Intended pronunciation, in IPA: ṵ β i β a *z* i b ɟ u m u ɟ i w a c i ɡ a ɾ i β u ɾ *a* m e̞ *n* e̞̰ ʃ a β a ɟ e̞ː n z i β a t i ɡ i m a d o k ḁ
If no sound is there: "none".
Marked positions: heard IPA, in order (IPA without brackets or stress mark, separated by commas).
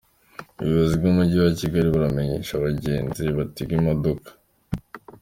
z, a, ɲ